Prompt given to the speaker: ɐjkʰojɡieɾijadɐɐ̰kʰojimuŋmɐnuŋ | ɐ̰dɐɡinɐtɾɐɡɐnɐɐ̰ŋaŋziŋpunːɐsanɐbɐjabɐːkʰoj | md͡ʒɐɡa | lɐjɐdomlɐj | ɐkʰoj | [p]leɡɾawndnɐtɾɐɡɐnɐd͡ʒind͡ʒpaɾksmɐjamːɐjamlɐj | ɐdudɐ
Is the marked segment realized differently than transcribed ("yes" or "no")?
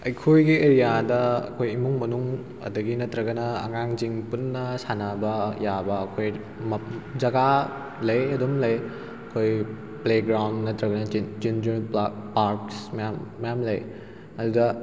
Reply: no